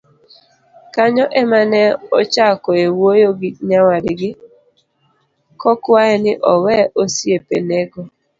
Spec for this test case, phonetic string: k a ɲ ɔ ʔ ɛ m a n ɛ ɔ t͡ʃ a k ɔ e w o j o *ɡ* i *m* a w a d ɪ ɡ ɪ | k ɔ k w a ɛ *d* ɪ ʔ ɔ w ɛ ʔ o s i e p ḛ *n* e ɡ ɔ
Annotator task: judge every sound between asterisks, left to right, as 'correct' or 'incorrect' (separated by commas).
correct, incorrect, incorrect, correct